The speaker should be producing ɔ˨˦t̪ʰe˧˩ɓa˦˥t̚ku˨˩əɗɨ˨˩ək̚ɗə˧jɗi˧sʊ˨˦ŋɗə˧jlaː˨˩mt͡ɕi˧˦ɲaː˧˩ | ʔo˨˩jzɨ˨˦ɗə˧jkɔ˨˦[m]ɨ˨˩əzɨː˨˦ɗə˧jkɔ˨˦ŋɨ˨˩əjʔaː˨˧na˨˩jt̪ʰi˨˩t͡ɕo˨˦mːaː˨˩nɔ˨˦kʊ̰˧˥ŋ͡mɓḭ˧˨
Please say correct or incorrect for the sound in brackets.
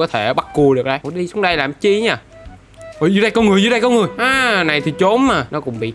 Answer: incorrect